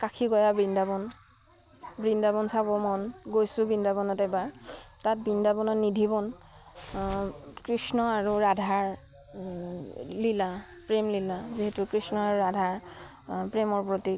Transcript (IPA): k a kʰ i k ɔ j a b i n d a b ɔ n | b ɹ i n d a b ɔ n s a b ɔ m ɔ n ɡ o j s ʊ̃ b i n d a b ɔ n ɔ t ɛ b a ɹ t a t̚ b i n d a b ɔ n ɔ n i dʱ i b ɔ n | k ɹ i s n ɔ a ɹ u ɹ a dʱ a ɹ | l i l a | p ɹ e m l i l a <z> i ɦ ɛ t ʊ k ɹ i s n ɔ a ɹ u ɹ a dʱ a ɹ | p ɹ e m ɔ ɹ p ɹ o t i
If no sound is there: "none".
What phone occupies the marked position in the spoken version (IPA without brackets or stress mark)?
z